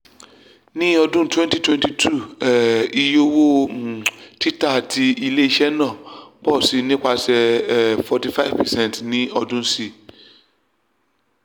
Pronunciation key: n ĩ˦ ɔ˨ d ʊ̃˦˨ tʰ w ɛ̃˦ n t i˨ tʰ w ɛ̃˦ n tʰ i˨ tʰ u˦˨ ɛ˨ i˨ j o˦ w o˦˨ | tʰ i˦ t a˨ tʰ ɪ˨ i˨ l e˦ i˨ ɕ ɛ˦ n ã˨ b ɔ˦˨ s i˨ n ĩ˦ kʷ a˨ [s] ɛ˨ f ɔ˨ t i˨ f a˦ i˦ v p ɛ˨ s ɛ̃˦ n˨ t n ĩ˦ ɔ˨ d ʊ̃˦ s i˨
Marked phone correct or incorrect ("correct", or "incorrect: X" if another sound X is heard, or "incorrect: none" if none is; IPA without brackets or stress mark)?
correct